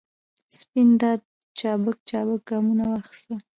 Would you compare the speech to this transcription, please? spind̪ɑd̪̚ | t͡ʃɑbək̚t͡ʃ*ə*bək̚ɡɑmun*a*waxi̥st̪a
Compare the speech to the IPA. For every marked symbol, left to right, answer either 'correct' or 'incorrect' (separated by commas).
incorrect, correct